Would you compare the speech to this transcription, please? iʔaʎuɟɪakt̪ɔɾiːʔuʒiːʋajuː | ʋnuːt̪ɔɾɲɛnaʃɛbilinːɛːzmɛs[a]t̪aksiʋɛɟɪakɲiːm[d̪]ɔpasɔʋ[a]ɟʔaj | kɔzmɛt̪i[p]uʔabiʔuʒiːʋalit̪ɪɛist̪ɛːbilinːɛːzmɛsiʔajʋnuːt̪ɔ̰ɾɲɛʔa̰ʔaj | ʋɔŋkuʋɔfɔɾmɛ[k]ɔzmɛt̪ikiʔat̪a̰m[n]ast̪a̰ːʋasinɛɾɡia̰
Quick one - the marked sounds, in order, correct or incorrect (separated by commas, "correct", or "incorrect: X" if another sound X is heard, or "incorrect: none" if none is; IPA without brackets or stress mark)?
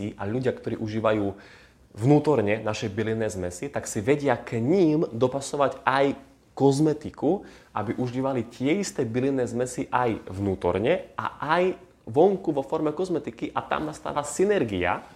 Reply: incorrect: i, correct, correct, incorrect: k, correct, correct